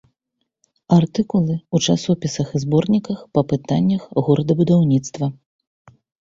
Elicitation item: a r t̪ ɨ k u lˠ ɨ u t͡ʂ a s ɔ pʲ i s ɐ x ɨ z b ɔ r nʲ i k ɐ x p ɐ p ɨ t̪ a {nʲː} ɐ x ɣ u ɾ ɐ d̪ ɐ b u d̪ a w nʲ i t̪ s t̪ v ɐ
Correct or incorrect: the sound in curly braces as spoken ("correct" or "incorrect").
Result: correct